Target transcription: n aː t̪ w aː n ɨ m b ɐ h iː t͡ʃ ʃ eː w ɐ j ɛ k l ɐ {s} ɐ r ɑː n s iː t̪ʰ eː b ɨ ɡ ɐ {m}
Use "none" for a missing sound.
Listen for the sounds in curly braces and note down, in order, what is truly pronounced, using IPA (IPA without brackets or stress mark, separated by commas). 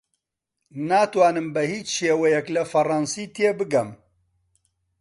f, m